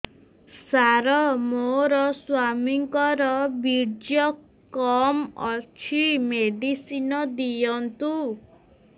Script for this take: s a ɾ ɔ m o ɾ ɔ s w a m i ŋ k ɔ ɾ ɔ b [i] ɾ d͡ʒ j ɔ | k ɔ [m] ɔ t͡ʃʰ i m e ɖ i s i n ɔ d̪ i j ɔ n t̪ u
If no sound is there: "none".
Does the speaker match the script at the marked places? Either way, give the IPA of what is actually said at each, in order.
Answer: i, m

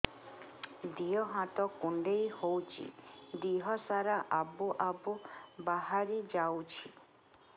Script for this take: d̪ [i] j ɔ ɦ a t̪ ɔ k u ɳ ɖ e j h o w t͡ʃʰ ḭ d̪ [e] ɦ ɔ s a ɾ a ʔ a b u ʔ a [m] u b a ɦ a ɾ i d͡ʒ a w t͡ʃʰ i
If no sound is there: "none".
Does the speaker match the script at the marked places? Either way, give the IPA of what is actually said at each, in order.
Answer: i, i, b

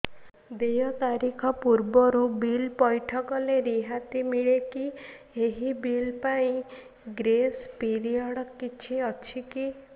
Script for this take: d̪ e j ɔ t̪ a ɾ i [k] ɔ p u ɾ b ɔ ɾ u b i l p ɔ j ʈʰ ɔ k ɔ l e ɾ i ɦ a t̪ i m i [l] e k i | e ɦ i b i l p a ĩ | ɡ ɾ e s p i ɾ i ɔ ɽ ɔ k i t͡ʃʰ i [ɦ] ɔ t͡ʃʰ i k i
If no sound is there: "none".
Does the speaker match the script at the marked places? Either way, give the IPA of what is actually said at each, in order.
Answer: kʰ, ɭ, none

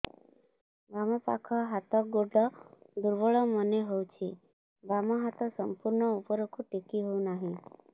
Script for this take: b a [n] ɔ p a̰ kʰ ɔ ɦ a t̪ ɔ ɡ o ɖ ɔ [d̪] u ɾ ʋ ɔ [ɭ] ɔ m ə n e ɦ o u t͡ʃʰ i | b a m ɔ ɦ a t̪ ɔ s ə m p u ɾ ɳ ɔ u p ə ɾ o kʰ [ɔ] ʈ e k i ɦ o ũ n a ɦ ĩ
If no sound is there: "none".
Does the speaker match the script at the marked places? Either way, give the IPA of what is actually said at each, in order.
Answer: m, d̪, ɭ, u

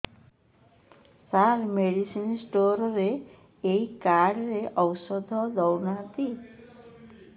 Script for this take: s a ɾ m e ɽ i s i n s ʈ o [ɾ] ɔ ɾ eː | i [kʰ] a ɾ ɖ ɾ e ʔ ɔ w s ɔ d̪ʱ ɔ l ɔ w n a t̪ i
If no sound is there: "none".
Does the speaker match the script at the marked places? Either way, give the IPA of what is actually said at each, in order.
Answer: ɾ, k

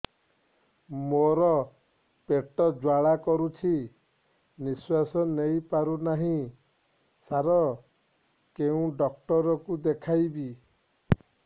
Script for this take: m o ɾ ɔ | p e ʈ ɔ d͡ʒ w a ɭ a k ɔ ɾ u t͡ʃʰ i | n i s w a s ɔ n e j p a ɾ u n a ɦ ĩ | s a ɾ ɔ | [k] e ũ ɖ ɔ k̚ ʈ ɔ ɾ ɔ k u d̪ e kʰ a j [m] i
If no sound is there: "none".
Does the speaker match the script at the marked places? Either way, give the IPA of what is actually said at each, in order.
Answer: k, b

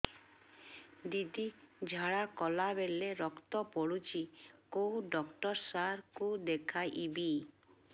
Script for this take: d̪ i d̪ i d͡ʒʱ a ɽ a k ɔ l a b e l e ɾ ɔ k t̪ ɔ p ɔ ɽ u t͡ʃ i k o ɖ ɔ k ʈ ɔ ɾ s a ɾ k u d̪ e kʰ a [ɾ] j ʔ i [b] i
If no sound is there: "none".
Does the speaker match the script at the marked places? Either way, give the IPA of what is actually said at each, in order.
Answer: none, b

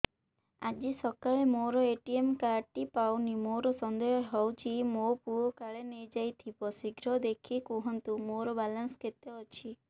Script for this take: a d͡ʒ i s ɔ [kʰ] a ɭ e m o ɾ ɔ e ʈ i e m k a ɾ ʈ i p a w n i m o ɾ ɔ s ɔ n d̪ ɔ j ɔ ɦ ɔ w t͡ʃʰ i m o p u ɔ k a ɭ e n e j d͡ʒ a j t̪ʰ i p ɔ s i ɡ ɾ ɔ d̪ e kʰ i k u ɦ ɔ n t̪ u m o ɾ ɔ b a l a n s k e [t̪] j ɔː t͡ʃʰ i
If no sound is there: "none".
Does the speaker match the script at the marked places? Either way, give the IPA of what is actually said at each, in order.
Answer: k, t̪

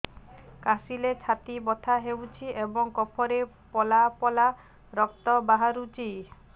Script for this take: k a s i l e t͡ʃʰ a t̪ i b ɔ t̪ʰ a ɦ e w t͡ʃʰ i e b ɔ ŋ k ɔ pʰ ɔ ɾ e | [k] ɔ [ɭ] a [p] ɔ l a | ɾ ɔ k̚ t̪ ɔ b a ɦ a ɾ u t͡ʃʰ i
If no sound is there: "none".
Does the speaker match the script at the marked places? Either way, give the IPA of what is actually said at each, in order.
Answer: p, l, p

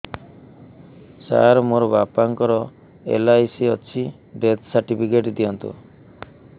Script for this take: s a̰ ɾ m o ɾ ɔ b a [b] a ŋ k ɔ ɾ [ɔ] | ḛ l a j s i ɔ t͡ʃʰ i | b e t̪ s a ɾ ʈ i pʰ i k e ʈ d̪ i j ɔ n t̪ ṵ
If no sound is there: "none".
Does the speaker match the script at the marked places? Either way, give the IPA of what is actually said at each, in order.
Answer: p, ɔ

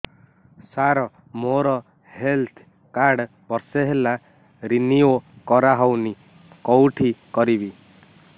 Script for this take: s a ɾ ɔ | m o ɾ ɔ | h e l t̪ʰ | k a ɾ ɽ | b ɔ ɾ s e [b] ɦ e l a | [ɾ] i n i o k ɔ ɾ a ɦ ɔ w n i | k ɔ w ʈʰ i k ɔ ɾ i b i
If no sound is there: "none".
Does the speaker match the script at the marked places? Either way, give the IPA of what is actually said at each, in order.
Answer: none, ɾ

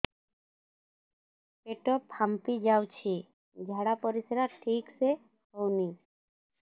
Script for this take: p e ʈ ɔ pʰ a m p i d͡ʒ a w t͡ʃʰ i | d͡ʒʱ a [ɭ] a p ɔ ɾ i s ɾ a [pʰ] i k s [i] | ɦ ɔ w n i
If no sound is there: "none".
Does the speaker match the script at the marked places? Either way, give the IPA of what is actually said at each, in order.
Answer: ɽ, ʈʰ, e

